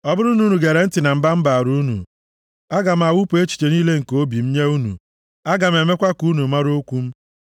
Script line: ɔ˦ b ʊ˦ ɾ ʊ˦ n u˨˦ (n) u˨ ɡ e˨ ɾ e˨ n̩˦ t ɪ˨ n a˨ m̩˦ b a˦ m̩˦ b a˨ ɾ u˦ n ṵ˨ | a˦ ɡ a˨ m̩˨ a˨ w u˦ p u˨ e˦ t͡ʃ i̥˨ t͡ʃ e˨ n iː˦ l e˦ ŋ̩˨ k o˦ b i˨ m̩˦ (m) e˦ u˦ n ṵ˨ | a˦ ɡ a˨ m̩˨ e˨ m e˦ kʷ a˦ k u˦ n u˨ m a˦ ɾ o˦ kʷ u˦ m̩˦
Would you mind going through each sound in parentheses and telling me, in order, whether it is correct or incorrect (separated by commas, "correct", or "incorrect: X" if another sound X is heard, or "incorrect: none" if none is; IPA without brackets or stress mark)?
correct, incorrect: ɲ